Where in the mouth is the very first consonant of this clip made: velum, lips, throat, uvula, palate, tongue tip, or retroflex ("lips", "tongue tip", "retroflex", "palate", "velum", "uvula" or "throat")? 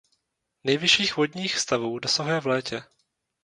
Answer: tongue tip